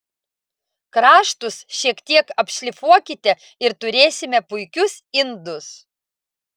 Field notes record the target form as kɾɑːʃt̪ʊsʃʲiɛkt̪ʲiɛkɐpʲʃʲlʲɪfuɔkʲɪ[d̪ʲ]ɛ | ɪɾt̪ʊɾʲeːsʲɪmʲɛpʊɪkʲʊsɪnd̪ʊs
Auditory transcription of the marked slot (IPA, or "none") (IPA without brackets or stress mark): t̪ʲ